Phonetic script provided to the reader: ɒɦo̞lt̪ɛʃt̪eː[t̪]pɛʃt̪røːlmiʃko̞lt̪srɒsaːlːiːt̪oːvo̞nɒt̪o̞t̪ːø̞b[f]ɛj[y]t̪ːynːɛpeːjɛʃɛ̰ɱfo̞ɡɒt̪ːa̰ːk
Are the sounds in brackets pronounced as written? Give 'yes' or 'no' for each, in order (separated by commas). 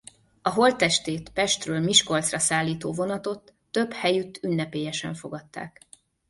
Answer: yes, no, yes